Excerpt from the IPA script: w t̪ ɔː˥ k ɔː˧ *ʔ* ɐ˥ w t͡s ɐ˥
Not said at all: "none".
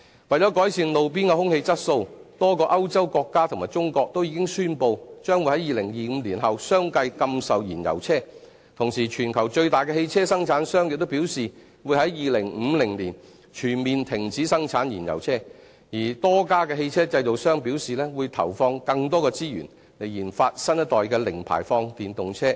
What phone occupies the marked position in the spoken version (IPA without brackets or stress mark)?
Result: ʔ